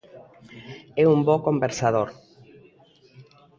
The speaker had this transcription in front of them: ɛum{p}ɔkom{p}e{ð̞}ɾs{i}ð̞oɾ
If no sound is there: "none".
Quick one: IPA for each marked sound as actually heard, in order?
b, b, none, a

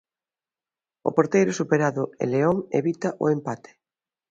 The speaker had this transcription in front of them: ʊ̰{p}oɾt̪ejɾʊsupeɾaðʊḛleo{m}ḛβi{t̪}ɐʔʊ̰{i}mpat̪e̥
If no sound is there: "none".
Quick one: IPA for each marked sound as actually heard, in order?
p, ŋ, t̪, e

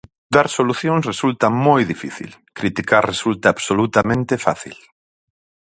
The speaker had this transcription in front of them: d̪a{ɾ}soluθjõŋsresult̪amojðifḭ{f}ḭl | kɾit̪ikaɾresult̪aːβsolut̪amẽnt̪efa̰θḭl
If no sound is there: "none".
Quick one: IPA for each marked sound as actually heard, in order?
ɾ, θ

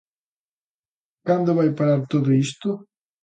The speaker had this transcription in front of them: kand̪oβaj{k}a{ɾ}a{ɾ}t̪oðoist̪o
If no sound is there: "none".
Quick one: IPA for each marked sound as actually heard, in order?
p, ɾ, ɾ

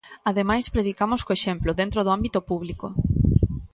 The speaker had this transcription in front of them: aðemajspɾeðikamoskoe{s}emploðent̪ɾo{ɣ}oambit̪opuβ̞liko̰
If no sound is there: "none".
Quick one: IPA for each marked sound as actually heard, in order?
ʃ, ð

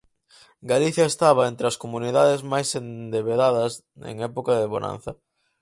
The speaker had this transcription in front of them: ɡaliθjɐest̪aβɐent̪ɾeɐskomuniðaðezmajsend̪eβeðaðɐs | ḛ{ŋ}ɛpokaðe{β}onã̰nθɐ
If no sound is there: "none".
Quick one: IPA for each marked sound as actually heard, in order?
ŋ, β

